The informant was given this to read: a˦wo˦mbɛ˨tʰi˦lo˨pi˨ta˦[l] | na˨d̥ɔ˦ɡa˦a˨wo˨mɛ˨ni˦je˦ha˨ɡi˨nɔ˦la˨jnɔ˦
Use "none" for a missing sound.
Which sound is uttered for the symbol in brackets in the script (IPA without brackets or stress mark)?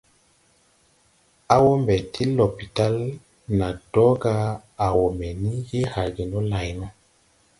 l